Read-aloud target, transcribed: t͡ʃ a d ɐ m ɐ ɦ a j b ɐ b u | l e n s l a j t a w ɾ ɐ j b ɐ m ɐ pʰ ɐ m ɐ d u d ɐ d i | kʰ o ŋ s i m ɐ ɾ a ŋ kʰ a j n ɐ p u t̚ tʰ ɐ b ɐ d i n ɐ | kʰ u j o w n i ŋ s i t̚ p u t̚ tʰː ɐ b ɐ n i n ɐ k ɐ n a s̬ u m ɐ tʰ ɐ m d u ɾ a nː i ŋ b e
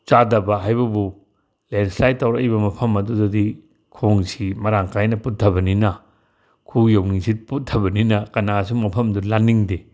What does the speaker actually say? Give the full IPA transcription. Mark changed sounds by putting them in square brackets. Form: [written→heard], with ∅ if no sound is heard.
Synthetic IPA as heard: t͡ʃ a d ɐ [m→b] ɐ ɦ a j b ɐ b u | l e n s l a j t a w ɾ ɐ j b ɐ m ɐ pʰ ɐ m ɐ d u d ɐ d i | kʰ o ŋ s i m ɐ ɾ a ŋ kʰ a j n ɐ p u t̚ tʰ ɐ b ɐ [d→n] i n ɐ | kʰ u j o w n i ŋ s i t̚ p u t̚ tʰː ɐ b ɐ n i n ɐ k ɐ n a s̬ u m ɐ [tʰ→pʰ] ɐ m d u [ɾ→l] a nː i ŋ [b→d] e